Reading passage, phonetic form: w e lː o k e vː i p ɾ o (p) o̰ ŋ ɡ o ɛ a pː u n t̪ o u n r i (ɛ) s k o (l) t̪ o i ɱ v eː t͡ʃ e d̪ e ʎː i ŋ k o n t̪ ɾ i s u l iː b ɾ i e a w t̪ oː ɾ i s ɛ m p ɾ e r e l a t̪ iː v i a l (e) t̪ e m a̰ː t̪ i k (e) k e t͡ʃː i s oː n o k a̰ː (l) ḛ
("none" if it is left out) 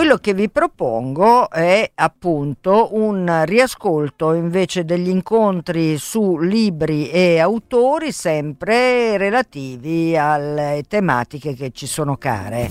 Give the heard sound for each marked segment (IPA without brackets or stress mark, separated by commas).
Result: p, a, l, e, e, ɾ